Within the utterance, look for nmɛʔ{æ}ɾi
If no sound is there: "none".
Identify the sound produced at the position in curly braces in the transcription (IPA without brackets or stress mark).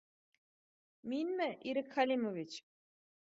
i